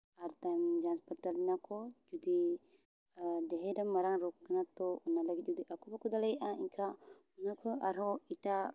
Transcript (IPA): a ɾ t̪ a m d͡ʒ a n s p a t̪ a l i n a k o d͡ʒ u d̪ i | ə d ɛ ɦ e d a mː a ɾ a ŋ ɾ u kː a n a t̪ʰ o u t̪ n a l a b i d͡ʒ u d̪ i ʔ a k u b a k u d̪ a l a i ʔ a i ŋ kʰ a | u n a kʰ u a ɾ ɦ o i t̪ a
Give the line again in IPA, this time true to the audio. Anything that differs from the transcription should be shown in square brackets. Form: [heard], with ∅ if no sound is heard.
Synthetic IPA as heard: a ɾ t̪ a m d͡ʒ a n s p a t̪ a l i n a k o d͡ʒ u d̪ i | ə d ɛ ɦ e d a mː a ɾ a ŋ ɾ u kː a n a [t̪] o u [∅] n a l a [ɡ] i d͡ʒ u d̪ i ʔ a k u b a k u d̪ a l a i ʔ a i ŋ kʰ a | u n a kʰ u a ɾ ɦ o i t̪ a